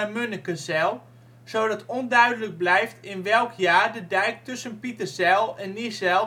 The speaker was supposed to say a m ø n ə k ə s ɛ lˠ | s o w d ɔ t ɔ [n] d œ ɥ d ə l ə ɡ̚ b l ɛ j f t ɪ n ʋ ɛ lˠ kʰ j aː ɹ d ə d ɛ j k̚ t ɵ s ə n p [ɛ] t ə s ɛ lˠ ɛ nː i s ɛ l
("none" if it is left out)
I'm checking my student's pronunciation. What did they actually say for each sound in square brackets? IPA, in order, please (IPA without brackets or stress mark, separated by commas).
n, i